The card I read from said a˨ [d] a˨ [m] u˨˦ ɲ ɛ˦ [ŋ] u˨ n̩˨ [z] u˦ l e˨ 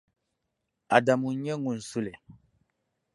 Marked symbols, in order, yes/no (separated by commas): yes, yes, yes, no